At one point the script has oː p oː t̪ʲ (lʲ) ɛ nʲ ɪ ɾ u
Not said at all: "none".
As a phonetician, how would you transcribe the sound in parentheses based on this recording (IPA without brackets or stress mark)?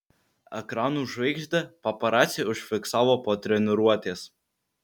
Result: ɾʲ